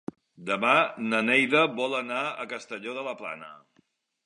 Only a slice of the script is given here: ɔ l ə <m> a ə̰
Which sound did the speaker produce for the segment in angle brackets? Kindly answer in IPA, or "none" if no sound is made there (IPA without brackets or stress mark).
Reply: n